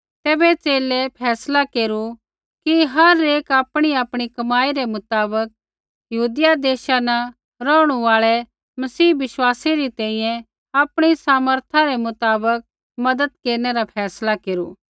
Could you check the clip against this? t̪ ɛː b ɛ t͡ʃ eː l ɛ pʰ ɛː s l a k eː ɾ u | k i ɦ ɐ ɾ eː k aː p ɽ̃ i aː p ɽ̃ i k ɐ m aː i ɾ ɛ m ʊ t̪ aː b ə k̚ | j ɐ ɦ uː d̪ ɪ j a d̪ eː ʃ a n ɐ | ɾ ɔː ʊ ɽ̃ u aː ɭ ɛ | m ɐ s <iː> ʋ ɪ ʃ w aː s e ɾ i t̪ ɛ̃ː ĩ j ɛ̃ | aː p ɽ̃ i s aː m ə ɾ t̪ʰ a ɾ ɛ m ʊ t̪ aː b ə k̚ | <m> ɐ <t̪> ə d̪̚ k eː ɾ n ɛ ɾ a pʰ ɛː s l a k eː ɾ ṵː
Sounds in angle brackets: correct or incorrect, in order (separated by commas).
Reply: correct, correct, incorrect